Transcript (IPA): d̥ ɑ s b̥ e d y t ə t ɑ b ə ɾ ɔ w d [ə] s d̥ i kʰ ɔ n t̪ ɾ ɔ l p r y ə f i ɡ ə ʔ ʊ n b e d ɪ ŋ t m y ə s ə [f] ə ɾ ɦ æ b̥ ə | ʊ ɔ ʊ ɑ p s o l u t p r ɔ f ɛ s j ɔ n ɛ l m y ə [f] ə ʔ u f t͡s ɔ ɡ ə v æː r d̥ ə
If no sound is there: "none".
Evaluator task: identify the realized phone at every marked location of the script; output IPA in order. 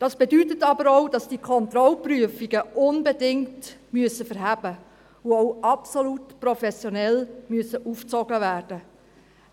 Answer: ɑ, f, s

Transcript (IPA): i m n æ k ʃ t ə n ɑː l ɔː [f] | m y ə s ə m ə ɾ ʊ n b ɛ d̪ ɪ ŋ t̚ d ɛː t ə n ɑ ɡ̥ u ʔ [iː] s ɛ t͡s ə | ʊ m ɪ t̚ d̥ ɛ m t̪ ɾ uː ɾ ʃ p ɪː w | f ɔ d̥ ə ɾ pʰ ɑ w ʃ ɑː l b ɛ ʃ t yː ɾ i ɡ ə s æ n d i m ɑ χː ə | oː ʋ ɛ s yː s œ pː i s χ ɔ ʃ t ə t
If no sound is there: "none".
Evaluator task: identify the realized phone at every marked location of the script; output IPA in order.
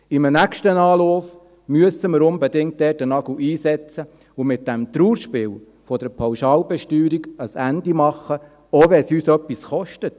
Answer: f, iː

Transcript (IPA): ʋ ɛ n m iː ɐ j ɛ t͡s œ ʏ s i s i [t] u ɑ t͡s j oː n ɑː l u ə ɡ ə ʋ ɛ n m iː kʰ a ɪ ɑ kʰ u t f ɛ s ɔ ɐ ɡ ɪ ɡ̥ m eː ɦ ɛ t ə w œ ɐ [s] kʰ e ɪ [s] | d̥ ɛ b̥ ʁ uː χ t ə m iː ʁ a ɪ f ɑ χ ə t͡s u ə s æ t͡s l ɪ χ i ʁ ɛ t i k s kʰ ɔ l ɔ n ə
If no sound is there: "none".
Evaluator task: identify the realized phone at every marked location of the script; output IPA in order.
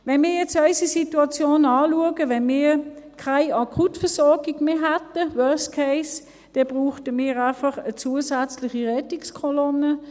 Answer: t, s, s

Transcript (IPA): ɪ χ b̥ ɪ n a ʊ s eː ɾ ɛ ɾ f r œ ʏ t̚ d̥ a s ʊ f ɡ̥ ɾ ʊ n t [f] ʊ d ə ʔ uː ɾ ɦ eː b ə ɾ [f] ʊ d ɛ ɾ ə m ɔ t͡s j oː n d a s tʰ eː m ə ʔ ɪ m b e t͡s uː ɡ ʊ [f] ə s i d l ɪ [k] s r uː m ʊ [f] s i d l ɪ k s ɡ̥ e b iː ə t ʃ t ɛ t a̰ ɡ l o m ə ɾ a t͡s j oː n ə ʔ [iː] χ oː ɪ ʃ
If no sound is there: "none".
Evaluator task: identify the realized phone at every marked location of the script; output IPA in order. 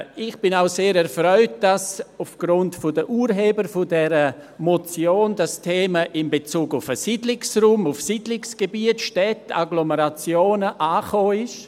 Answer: f, f, f, k, f, aː

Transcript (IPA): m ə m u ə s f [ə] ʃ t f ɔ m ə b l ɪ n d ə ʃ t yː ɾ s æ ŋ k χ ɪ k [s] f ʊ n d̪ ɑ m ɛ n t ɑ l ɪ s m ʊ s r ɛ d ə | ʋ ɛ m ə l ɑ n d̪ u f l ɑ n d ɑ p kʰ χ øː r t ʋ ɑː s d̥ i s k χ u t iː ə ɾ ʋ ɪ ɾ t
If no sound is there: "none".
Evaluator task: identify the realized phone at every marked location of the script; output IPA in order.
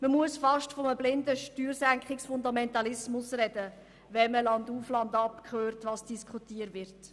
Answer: ɑ, s

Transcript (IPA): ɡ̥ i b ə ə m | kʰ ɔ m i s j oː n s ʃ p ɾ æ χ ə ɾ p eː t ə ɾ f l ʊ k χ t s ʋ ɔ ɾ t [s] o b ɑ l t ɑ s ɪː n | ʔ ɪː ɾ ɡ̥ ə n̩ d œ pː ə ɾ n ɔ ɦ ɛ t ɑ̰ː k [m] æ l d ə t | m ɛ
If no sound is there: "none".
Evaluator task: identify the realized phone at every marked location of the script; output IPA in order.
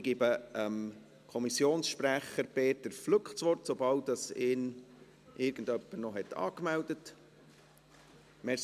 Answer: s, m

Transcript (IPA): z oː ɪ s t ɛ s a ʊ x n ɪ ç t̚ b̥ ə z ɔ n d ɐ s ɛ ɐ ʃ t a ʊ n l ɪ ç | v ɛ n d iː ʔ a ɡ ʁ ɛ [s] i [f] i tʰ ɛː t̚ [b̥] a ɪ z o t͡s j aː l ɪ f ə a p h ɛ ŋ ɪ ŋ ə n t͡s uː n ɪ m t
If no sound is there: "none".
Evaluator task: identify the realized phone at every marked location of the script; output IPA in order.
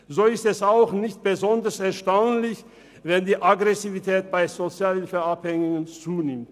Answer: s, v, b̥

